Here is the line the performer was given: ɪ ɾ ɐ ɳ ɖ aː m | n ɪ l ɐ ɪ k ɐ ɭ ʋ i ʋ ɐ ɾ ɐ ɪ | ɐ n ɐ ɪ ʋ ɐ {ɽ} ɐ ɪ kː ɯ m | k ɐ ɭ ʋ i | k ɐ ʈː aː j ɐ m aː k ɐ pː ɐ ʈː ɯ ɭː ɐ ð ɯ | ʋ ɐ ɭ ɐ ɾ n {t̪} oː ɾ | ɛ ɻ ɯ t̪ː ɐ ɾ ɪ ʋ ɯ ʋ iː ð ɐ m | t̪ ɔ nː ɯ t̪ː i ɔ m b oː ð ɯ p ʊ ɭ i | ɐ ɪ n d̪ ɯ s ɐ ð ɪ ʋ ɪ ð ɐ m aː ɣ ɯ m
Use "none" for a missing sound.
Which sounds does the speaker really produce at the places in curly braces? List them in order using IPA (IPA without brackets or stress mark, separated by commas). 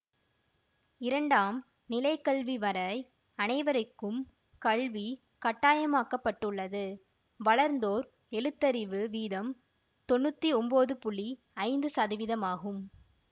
ɾ, d̪